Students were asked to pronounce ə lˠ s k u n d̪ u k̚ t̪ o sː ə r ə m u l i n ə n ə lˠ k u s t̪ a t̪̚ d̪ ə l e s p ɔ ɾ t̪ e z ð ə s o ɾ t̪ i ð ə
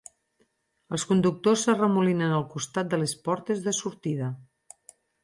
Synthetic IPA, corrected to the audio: ə lˠ s k u n d̪ u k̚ t̪ o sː ə r ə m u l i n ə n ə lˠ k u s t̪ a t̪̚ d̪ ə l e s p ɔ ɾ t̪ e z ð ə s u ɾ t̪ i ð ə